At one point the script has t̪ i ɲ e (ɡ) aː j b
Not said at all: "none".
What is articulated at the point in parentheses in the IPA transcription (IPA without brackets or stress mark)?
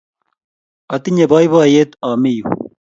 b